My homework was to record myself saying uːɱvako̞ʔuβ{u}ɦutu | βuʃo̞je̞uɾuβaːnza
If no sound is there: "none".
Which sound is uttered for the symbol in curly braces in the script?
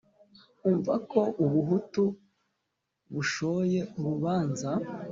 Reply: u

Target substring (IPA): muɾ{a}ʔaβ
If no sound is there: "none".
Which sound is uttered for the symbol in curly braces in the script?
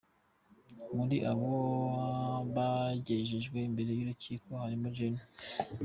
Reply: i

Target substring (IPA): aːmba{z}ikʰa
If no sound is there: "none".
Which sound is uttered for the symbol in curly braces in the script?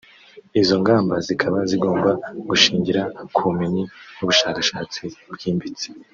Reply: z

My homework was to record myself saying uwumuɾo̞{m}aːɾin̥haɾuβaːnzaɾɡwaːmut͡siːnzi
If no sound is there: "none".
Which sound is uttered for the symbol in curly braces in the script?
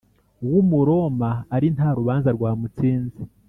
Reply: m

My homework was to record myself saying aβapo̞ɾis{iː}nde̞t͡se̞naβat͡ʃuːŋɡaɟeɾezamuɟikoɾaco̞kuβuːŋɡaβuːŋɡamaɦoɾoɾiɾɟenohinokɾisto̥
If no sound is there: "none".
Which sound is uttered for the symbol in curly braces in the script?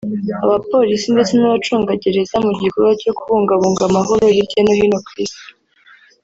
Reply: i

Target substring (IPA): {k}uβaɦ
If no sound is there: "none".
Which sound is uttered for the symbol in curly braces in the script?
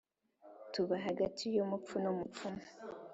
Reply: t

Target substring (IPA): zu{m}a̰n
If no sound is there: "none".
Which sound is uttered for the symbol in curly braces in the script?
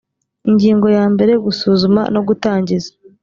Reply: m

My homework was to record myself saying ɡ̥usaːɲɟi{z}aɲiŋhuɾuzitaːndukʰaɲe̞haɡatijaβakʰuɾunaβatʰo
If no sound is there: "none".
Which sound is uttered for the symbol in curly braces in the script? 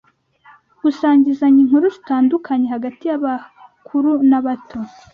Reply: z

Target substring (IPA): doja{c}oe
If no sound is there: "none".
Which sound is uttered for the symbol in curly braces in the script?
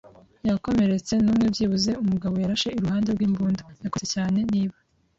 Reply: k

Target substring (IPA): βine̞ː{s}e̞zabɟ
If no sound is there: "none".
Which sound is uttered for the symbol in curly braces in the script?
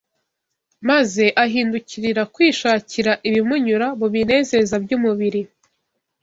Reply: z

